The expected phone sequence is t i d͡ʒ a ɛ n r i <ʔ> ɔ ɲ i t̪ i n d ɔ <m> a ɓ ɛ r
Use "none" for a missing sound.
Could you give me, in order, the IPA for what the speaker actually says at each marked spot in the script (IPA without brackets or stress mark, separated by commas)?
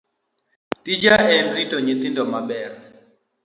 t, m